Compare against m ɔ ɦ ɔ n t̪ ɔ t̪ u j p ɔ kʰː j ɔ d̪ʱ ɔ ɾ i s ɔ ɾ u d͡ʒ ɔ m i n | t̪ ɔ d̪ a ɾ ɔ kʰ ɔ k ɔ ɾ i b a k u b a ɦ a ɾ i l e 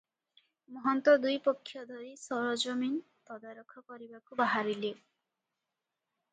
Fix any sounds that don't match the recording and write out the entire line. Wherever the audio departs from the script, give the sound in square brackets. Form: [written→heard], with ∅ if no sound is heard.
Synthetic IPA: m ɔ ɦ ɔ n t̪ ɔ [t̪→d̪] u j p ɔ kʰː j ɔ d̪ʱ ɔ ɾ i s ɔ ɾ [u→ɔ] d͡ʒ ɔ m i n | t̪ ɔ d̪ a ɾ ɔ kʰ ɔ k ɔ ɾ i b a k u b a ɦ a ɾ i l e